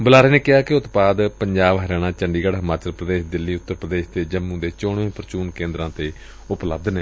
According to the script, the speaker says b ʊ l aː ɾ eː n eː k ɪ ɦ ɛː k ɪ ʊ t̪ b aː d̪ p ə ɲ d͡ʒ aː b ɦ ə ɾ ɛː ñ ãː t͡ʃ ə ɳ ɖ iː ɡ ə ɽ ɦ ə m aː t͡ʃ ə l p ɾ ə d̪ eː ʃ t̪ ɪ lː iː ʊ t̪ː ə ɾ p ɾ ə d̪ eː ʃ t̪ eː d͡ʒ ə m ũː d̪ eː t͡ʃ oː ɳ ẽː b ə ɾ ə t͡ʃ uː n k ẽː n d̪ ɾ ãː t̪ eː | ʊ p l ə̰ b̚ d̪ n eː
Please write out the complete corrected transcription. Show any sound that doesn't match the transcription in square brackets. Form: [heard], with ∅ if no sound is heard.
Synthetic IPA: b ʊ l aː ɾ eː n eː k ɪ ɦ [aː] k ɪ ʊ t̪ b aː d̪ p ə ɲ d͡ʒ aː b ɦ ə ɾ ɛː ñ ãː t͡ʃ ə ɳ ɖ iː ɡ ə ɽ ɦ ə m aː t͡ʃ ə l p ɾ ə d̪ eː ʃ [d̪] ɪ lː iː ʊ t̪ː ə ɾ p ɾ ə d̪ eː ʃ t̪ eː d͡ʒ ə m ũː d̪ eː t͡ʃ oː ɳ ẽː [p] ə ɾ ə t͡ʃ uː n k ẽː n d̪ ɾ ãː t̪ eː | ʊ p l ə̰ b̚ d̪ n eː